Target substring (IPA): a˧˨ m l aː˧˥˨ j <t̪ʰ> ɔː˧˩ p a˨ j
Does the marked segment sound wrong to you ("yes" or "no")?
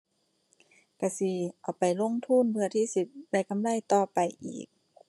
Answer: yes